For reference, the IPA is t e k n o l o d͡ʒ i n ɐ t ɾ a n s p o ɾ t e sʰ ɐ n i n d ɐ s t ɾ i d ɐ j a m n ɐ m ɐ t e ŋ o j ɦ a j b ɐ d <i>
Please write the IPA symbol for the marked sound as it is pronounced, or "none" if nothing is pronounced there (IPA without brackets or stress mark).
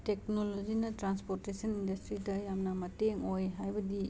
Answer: i